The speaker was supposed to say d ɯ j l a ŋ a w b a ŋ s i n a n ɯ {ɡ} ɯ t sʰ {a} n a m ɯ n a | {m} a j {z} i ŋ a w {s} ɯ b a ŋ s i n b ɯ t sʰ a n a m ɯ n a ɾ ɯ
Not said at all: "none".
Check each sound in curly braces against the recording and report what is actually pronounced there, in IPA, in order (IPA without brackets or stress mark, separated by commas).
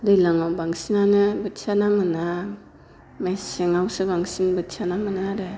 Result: b, a, m, s, s